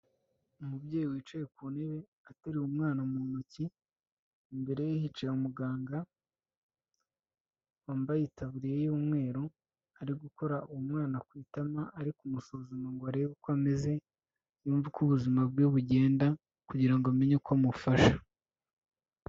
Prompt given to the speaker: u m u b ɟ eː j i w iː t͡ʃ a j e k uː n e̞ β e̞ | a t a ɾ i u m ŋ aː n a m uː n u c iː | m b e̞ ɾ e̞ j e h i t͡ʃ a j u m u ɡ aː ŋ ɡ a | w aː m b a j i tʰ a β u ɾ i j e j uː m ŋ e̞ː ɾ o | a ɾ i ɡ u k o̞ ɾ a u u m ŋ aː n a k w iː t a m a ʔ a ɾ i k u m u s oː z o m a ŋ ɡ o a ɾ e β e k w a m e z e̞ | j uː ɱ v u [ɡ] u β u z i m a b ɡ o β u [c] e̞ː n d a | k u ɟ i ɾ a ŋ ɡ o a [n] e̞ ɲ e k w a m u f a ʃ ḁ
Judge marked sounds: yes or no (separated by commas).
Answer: no, no, no